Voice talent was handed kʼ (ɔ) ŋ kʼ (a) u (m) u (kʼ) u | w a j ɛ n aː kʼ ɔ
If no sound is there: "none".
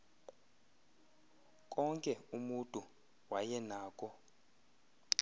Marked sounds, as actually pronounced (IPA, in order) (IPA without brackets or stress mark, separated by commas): ɔ, ɛ, m, tʼ